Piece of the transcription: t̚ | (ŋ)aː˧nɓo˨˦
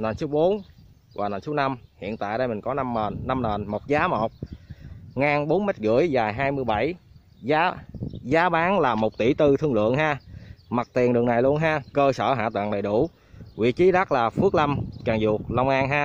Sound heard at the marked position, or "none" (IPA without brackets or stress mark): ŋ